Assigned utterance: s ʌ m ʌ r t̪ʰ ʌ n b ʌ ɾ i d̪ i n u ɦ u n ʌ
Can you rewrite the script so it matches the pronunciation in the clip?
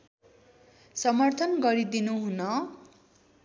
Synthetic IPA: s ʌ m ʌ r t̪ʰ ʌ n ɡ ʌ ɾ i d̪ i n u ɦ u n ʌ